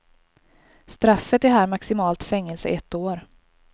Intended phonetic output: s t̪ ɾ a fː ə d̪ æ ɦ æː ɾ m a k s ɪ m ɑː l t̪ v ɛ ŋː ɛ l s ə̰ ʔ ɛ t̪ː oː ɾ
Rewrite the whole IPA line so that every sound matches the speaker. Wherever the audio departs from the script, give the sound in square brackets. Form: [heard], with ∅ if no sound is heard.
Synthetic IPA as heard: s t̪ ɾ a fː ə [t̪] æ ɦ æː ɾ m a k s ɪ m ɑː l t̪ [f] ɛ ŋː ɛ l s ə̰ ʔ ɛ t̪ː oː ɾ